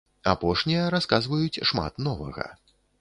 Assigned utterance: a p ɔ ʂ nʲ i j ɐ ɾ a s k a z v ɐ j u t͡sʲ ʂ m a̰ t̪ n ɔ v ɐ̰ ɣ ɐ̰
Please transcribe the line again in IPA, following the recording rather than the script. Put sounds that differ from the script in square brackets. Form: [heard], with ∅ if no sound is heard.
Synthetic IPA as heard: a p ɔ ʂ nʲ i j ɐ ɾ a s k a z v ɐ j u t͡sʲ ʂ m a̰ t̪ n ɔ v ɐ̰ ɣ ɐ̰